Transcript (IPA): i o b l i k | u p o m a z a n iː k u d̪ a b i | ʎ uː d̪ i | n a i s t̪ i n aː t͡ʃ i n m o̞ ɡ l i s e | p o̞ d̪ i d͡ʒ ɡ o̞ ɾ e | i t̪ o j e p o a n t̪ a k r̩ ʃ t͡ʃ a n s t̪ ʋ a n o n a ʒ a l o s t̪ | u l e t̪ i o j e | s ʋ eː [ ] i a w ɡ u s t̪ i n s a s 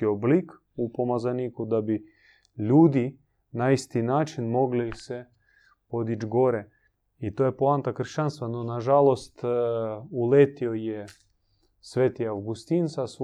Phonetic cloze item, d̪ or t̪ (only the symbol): t̪